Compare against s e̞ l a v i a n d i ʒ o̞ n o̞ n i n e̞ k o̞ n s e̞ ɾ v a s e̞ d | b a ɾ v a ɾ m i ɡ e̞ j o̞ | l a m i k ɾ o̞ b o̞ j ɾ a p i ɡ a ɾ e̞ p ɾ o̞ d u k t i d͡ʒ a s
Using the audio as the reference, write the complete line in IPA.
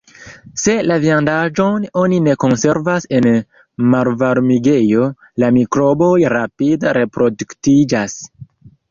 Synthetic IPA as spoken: s e̞ l a v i a n d a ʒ o̞ n o̞ n i n e̞ k o̞ n s e̞ ɾ v a s e̞ n | m a ɾ v a ɾ m i ɡ e̞ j o̞ | l a m i k ɾ o̞ b o̞ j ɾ a p i d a ɾ e̞ p ɾ o̞ d u k t i d͡ʒ a s